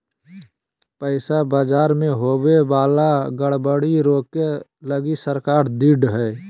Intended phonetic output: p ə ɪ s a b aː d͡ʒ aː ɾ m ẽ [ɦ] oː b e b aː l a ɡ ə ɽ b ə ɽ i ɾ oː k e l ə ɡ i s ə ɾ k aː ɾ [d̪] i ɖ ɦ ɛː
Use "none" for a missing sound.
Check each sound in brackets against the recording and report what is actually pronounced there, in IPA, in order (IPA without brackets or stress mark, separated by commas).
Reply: ɦ, d̪